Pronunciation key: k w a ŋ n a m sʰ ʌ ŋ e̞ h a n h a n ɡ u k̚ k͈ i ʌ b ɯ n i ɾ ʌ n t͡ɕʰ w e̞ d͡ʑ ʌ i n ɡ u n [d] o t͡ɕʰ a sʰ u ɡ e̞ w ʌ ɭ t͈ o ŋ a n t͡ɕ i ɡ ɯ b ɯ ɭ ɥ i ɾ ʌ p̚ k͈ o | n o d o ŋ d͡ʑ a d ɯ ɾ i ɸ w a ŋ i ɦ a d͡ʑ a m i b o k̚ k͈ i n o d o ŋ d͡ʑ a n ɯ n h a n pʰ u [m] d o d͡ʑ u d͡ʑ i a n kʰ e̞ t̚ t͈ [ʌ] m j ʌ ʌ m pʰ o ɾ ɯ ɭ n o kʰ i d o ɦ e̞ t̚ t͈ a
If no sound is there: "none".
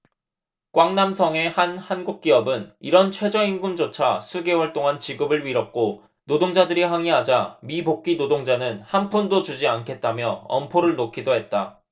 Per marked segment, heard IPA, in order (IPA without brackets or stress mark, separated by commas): d͡ʑ, n, a